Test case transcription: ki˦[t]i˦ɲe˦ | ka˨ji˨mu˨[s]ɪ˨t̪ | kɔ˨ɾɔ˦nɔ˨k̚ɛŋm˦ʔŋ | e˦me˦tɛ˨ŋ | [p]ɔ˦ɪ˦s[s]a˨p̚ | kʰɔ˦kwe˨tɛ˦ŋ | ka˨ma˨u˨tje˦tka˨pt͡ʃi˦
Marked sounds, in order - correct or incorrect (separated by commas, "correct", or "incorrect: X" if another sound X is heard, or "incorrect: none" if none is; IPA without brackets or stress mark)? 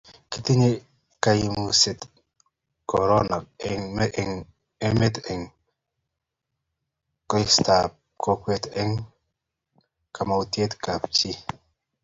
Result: correct, correct, incorrect: k, incorrect: t